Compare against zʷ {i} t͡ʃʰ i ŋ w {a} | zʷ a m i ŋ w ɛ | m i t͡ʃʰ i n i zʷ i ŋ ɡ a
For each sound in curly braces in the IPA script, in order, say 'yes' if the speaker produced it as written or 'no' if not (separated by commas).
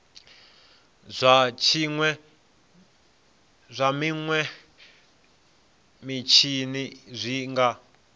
no, no